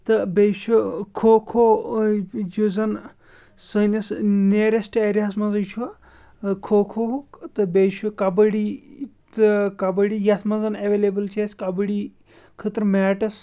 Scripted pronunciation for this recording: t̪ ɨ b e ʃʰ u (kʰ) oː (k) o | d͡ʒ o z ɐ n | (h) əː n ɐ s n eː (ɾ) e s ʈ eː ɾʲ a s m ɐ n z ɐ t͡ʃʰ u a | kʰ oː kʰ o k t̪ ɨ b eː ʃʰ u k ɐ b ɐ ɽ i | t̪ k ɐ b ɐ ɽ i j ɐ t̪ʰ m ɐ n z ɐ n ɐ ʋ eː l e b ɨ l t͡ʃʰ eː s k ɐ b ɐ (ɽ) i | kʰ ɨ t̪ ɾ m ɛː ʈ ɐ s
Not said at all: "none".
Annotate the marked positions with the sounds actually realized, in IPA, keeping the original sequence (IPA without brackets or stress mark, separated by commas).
kʰ, kʰ, s, ɾ, ɽ